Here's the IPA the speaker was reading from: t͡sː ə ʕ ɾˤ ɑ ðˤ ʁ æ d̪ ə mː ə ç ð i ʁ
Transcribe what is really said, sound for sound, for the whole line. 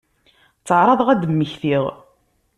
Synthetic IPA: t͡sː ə ʕ ɾˤ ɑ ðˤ ʁ æ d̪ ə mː ə ç θ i ʁ